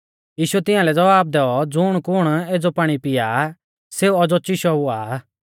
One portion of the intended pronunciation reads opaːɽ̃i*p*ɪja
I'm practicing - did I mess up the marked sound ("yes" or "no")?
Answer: no